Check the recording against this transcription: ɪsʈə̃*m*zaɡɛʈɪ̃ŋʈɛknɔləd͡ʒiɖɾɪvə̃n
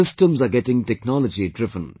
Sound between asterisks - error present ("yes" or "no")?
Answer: no